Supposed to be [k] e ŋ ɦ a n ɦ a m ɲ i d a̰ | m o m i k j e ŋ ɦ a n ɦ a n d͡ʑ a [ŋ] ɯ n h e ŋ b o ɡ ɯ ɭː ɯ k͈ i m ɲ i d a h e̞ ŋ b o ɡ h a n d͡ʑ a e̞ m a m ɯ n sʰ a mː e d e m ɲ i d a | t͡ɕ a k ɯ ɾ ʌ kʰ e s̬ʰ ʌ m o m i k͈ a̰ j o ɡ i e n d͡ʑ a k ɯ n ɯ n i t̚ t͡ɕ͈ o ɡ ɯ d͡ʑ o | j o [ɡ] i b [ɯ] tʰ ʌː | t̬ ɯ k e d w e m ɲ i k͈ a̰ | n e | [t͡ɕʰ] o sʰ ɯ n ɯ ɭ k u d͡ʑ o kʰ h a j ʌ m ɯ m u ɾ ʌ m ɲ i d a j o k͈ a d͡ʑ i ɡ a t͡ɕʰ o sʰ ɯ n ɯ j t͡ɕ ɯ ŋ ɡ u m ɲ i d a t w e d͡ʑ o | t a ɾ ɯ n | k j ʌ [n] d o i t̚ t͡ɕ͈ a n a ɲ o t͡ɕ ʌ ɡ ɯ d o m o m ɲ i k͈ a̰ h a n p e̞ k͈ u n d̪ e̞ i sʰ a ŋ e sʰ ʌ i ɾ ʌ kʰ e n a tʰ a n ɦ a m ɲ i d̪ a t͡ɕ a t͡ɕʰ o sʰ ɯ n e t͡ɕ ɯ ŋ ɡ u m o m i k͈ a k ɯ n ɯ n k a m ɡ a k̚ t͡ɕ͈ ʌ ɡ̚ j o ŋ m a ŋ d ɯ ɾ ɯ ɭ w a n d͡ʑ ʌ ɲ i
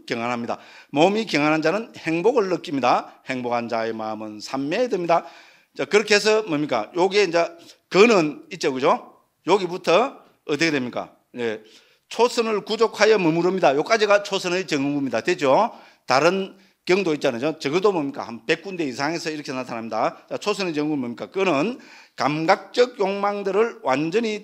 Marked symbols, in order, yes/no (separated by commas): yes, no, yes, no, yes, no